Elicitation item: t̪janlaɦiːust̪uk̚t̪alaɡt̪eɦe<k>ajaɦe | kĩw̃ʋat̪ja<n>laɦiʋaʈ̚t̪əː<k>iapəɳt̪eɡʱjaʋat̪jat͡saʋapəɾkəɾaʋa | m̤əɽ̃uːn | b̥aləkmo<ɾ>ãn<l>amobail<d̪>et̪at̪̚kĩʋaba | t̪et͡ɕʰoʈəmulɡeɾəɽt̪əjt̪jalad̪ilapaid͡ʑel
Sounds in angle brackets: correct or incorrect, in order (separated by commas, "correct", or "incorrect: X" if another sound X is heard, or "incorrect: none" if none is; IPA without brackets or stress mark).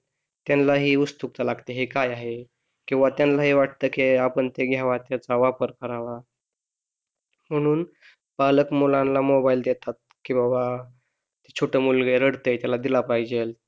correct, correct, correct, incorrect: l, correct, correct